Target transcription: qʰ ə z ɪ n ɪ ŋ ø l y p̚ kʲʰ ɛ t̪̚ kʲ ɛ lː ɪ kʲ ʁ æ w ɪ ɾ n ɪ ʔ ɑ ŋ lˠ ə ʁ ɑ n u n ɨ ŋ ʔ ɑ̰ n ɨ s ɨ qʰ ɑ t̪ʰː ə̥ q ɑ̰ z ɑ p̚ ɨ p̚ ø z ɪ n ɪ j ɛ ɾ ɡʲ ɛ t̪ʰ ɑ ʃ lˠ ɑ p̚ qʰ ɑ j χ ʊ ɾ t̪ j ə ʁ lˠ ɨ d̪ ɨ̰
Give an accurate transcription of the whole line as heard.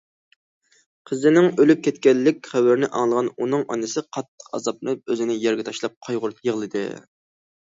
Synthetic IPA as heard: qʰ ə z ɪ n ɪ ŋ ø l y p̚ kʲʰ ɛ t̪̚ kʲ ɛ lː ɪ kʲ χ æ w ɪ ɾ n ɪ ʔ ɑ ŋ lˠ ə ʁ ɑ n u n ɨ ŋ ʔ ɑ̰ n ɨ s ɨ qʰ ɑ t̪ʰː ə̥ q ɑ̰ z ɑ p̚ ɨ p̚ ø z ɪ n ɪ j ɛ ɾ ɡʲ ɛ t̪ʰ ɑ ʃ lˠ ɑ p̚ qʰ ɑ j ʁ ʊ ɾ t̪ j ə ʁ lˠ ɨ d̪ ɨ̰